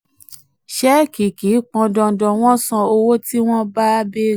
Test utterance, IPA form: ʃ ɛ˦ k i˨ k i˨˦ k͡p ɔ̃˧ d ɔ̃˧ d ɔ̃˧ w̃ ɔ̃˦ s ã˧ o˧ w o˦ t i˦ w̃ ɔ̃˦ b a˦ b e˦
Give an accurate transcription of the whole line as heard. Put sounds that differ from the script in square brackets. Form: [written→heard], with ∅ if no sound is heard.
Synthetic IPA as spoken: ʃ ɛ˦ k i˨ k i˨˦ k͡p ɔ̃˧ d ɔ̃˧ d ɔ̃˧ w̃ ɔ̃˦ s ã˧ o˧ w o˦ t i˦ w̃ ɔ̃˦ b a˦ b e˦

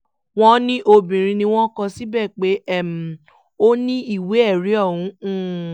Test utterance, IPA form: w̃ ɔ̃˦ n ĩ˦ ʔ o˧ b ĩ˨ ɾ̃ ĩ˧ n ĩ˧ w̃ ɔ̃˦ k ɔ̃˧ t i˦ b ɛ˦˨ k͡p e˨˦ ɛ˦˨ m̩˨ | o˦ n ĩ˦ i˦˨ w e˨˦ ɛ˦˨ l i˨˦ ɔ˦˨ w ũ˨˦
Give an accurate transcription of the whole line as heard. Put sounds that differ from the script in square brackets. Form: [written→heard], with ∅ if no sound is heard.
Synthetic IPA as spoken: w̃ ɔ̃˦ n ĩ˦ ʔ o˧ b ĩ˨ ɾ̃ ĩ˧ n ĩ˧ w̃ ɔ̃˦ k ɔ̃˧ [t→s] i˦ b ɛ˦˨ k͡p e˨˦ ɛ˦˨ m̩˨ | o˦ n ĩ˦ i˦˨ w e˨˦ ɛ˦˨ [l→ɾ] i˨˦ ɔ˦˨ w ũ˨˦

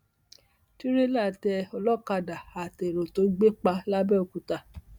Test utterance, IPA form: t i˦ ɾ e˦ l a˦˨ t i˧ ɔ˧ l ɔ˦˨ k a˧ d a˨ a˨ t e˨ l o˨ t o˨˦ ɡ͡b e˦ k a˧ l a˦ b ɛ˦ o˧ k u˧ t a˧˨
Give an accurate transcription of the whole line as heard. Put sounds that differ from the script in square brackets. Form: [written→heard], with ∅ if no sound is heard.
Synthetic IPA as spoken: t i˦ ɾ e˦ l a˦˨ t [i˧→ɛ˧] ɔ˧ l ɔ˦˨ k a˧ d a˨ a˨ t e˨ [l→ɾ] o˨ t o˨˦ ɡ͡b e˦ [k→k͡p] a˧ l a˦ b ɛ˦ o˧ k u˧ t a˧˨

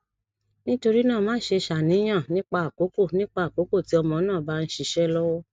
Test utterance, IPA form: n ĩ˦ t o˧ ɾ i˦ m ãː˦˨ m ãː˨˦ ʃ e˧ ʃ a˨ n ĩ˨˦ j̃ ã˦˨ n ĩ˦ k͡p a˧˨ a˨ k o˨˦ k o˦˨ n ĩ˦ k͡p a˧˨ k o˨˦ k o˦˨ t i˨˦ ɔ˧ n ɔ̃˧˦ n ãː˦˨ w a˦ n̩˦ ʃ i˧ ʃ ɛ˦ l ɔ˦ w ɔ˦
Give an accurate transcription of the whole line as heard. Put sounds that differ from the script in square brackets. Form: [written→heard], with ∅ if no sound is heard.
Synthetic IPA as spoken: n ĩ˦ t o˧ ɾ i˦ [m→n] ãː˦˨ m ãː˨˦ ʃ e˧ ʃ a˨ n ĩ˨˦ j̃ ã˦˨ n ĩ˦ k͡p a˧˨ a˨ k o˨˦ k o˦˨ n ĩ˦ k͡p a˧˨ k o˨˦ k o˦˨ t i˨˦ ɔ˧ [n→m] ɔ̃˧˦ n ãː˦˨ [w→b] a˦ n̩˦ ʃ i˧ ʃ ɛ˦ l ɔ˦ w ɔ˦

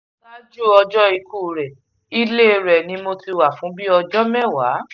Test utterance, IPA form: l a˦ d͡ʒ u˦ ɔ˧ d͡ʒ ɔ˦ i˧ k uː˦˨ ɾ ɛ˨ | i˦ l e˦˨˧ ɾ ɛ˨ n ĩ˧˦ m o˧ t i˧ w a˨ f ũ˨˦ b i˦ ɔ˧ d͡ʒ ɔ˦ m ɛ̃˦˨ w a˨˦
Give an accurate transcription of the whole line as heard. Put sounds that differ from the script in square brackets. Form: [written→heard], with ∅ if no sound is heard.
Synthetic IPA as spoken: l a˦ d͡ʒ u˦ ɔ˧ d͡ʒ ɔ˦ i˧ k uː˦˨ ɾ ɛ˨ | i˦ l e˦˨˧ ɾ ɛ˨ n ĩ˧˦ m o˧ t i˧ w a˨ f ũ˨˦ b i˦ ɔ˧ d͡ʒ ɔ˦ m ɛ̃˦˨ w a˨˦

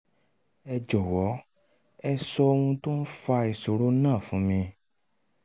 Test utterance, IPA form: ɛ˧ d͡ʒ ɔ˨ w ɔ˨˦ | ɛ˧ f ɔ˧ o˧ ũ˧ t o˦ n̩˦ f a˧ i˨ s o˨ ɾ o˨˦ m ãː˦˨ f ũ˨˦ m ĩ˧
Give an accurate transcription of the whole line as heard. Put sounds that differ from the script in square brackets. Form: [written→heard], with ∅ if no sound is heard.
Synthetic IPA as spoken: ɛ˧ d͡ʒ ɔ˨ w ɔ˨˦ | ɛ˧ [f→s] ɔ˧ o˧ ũ˧ t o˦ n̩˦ f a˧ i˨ s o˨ ɾ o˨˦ [m→n] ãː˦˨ f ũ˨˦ m ĩ˧

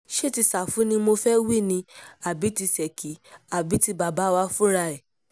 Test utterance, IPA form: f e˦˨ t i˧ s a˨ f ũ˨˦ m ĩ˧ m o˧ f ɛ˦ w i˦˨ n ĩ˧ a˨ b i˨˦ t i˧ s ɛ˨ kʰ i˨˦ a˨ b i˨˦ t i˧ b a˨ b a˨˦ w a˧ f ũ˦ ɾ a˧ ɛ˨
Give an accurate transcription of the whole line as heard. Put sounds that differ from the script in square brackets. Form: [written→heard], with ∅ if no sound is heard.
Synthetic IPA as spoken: [f→ʃ] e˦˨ t i˧ s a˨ f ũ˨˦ [m→n] ĩ˧ m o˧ f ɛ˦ w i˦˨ n ĩ˧ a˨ b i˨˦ t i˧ s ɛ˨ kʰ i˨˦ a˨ b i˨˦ t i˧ b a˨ b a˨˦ w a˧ f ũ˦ ɾ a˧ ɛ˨

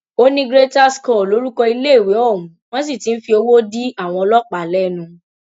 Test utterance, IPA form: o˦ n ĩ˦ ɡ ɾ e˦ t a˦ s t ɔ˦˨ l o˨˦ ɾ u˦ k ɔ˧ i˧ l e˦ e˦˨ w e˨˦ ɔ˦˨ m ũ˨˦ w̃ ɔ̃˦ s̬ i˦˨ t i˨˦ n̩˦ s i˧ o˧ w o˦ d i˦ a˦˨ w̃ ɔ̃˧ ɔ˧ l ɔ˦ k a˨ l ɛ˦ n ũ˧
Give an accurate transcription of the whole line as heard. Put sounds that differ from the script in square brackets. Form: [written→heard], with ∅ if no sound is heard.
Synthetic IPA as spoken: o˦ n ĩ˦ ɡ ɾ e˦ t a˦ s [t→k] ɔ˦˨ l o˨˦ ɾ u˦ k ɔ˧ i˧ l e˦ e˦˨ w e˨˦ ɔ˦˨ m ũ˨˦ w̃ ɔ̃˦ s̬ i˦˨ t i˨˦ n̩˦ [s→f] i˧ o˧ w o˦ d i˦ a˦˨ w̃ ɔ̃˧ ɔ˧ l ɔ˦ [k→k͡p] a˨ l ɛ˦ n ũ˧

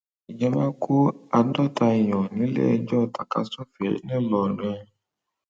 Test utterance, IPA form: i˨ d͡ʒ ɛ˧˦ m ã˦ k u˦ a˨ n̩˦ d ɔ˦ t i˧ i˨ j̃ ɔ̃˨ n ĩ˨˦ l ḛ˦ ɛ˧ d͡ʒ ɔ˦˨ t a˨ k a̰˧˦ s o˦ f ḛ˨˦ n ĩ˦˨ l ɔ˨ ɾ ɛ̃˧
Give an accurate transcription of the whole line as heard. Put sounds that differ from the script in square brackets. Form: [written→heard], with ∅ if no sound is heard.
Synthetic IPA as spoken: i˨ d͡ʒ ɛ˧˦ m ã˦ k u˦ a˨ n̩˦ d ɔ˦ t [i˧→a˧] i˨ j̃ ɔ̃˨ n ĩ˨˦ l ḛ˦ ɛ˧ d͡ʒ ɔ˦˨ t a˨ k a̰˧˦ s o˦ f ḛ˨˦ n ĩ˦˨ l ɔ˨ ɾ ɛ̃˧

